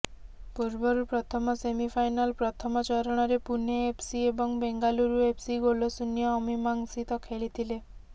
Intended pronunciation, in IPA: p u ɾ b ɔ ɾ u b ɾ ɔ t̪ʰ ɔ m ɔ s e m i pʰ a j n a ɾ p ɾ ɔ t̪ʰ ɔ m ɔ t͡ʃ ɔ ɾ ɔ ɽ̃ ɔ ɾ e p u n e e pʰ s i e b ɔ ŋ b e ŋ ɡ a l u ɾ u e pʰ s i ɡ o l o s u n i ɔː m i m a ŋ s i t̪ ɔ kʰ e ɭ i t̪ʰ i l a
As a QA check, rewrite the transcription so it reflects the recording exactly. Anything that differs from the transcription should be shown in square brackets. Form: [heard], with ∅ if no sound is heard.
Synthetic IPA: p u ɾ b ɔ ɾ u [p] ɾ ɔ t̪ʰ ɔ m ɔ s e m i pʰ a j n a [l] p ɾ ɔ t̪ʰ ɔ m ɔ t͡ʃ ɔ ɾ ɔ ɽ̃ ɔ ɾ e p u n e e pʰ s i e b ɔ ŋ b e ŋ ɡ a l u ɾ u e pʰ s i ɡ o l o s u n [j] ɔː m i m a ŋ s i t̪ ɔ kʰ e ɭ i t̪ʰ i l [e]